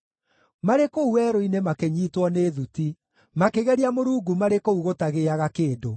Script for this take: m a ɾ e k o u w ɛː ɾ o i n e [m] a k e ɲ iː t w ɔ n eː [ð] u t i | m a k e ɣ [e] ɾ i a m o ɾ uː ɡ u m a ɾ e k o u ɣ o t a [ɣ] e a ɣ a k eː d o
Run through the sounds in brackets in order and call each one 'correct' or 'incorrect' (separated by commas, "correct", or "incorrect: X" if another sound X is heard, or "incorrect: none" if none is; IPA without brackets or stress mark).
correct, correct, incorrect: ɛ, correct